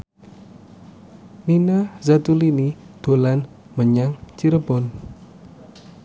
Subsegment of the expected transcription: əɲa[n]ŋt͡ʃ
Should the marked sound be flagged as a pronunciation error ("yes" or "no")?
yes